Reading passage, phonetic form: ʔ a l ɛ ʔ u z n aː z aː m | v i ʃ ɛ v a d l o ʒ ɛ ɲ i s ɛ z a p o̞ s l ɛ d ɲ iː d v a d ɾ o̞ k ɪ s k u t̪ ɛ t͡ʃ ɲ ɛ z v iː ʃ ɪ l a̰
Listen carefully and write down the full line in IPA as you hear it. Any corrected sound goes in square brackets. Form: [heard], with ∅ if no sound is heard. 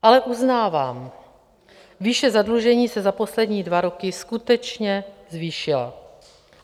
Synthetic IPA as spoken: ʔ a l ɛ ʔ u z n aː [v] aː m | v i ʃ ɛ [z] a d l [u] ʒ ɛ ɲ [iː] s ɛ z a p o̞ s l ɛ d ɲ iː d v a [∅] ɾ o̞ k ɪ s k u t̪ ɛ t͡ʃ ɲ ɛ z v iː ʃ ɪ l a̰

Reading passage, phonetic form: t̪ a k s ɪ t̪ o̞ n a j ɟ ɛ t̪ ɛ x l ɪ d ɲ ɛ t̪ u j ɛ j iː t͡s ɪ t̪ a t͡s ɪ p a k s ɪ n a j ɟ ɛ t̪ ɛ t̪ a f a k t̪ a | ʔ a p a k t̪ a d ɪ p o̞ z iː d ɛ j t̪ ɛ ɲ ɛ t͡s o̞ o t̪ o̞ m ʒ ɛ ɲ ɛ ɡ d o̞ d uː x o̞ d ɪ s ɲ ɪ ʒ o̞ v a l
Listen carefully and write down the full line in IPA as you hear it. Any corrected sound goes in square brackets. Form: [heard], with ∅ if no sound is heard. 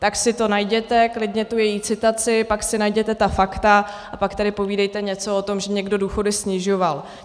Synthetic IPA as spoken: t̪ a k s ɪ t̪ o̞ n a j ɟ ɛ t̪ ɛ [k] l ɪ d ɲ ɛ t̪ u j ɛ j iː t͡s ɪ t̪ a t͡s ɪ p a k s ɪ n a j ɟ ɛ t̪ ɛ t̪ a f a k t̪ a | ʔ a p a k t̪ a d ɪ p o̞ [v] iː d ɛ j t̪ ɛ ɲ ɛ t͡s o̞ o t̪ o̞ m ʒ ɛ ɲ ɛ ɡ d o̞ d uː x o̞ d ɪ s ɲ ɪ ʒ o̞ v a l

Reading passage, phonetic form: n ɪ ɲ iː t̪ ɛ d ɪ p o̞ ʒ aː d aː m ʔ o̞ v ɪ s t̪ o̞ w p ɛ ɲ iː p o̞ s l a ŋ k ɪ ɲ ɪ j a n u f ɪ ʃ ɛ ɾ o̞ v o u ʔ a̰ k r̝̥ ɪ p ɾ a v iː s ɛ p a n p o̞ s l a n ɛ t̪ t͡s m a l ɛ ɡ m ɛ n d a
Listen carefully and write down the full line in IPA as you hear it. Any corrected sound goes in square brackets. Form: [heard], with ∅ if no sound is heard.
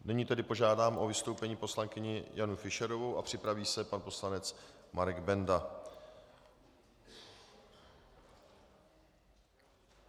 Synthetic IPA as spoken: n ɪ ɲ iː t̪ ɛ d ɪ p o̞ ʒ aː d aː m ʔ o̞ v ɪ s t̪ o̞ w p ɛ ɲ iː p o̞ s l a ŋ k ɪ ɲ ɪ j a n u f ɪ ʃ ɛ ɾ o̞ v o [w] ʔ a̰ [p] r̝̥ ɪ p ɾ a v iː s ɛ p a n p o̞ s l a n ɛ [∅] t͡s m a [ɾ] ɛ ɡ [b] ɛ n d a

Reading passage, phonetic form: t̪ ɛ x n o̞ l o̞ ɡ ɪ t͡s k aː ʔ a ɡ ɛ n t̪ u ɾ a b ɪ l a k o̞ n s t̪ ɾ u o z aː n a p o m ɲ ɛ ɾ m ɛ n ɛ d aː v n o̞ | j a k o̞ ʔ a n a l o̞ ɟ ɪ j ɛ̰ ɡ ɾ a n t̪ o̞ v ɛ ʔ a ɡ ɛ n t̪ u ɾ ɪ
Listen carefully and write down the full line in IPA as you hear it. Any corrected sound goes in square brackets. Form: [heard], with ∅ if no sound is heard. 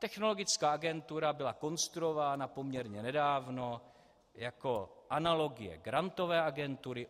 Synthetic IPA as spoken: t̪ ɛ x n o̞ l o̞ ɡ ɪ t͡s k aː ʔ a ɡ ɛ n t̪ u ɾ a b ɪ l a k o̞ n s t̪ ɾ u o [v] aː n a p o m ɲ ɛ ɾ [ɲ] ɛ n ɛ d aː v n o̞ | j a k o̞ ʔ a n a l o̞ [ɡ] ɪ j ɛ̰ ɡ ɾ a n t̪ o̞ v [ɛː] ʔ a ɡ ɛ n t̪ u ɾ ɪ

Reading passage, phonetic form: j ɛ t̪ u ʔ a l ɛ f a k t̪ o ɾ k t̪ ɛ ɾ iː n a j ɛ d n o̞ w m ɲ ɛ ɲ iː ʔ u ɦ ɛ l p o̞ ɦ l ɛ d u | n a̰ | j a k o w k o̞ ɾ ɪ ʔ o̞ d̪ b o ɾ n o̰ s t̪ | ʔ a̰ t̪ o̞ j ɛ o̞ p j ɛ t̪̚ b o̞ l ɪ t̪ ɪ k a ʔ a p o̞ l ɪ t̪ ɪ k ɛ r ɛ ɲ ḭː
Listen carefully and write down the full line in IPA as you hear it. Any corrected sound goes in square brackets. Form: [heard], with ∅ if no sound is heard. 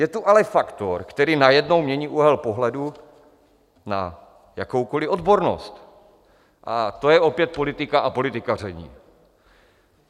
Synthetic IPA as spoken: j ɛ t̪ u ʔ a l ɛ f a k t̪ o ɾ k t̪ ɛ ɾ iː n a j ɛ d n o̞ w m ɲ ɛ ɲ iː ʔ u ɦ ɛ l p o̞ ɦ l ɛ d u | n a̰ | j a k o w k o̞ [l] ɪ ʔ o̞ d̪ b o ɾ n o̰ s t̪ | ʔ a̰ t̪ o̞ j ɛ o̞ p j ɛ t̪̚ [p] o̞ l ɪ t̪ ɪ k a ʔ a p o̞ l ɪ t̪ ɪ k [a] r ɛ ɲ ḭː

